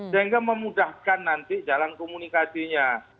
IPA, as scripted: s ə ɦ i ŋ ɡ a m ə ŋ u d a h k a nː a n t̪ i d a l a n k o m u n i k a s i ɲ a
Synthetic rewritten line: s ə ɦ i ŋ ɡ a m ə m u d a h k a nː a n t̪ i d͡ʒ a l a n k o m u n i k a s i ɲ a

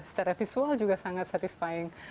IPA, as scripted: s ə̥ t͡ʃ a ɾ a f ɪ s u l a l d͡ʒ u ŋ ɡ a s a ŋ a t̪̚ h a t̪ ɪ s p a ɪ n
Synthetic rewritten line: s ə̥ t͡ʃ a ɾ a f i s u a l d͡ʒ u ɡ a s a ŋ a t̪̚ s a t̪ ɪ s p a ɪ ŋ

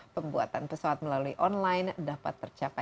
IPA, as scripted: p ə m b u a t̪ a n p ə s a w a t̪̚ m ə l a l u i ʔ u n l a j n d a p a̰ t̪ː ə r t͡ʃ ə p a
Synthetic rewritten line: p ə m b u a t̪ a n p ə s a w a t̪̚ m ə l a l u i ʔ ɔ n l a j n d a p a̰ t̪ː ə r t͡ʃ a p a

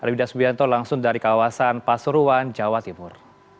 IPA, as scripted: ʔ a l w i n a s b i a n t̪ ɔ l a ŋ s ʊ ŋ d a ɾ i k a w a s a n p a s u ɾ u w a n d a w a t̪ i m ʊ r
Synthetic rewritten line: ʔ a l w i d a s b i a n t̪ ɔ l a ŋ s ʊ ŋ d a ɾ i k a w a s a n p a s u ɾ u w a n d͡ʒ a w a t̪ i m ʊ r

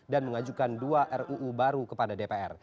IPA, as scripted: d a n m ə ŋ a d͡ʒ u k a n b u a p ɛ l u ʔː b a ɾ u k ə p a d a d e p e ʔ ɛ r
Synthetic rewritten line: d a n m ə ŋ a d͡ʒ u k a n d u a ʔ ɛ r u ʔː b a ɾ u k ə p a d a d e p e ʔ ɛ r

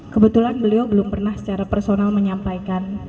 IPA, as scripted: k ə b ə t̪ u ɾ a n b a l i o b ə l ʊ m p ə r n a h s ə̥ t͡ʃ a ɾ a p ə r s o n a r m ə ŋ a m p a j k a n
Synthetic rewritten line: k ə b ə t̪ u l a n b ə l i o b ə l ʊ m p ə r n a h s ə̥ t͡ʃ a ɾ a p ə r s o n a l m ə ɲ a m p a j k a n

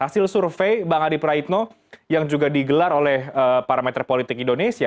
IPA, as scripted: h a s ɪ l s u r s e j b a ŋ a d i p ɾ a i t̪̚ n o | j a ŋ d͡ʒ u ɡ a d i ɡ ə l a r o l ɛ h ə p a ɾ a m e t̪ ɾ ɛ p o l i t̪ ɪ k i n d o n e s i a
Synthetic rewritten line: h a s ɪ l s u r f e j b a ŋ a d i p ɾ a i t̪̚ n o | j a ŋ d͡ʒ u ɡ a d i ɡ ə l a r o l ɛ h ə p a ɾ a m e t̪ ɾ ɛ p o l i t̪ ɪ k i n d o n e s i a

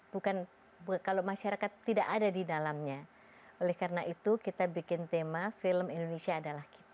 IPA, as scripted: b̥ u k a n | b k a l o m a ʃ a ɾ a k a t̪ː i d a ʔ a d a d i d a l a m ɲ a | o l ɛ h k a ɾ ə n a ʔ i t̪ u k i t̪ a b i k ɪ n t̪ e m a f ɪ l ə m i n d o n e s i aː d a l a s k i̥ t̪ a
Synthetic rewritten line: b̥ u k a n | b k a l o m a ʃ a ɾ a k a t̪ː i d a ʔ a d a d i d a l a m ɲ a | o l ɛ h k a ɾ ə n a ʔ i t̪ u k i t̪ a b i k ɪ n t̪ e m a f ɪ l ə m i n d o n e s i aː d a l a h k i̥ t̪ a

